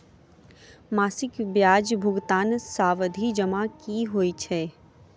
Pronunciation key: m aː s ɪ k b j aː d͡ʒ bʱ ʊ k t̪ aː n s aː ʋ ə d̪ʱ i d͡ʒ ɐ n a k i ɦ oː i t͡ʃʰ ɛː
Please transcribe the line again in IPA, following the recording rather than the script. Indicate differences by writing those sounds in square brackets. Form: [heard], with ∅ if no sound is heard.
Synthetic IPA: m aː s ɪ k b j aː d͡ʒ bʱ ʊ [ɡ] t̪ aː n s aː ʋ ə d̪ʱ i d͡ʒ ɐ [m] a k i ɦ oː i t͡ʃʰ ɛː